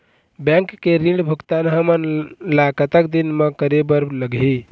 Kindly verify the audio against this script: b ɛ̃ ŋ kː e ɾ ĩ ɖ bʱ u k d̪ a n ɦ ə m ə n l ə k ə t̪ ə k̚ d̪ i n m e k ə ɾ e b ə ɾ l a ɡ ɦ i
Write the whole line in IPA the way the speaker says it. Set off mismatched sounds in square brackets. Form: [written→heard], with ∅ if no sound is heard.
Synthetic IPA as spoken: b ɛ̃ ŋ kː e ɾ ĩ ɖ bʱ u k [d̪→t̪] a n ɦ ə m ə n l [ə→a] k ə t̪ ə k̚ d̪ i n m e k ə ɾ e b ə ɾ l [a→ə] ɡ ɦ i